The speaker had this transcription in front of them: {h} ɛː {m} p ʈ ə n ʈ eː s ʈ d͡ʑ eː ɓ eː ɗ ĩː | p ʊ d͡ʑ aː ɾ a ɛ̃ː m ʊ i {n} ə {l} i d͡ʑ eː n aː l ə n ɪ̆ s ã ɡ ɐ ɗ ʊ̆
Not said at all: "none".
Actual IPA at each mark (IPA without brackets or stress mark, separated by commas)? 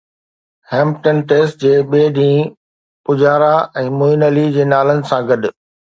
h, m, n, l